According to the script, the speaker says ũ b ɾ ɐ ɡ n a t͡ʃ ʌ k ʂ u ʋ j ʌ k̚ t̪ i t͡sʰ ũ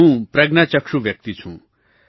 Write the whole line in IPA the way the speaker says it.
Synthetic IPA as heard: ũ p ɾ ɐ ɡ n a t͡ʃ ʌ k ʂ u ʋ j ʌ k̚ t̪ i t͡sʰ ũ